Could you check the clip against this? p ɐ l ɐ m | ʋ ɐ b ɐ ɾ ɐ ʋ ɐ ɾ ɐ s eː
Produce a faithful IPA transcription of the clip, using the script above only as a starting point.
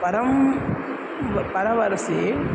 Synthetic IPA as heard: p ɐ ɾ ɐ m | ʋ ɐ p ɐ ɾ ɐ ʋ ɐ ɾ ɐ s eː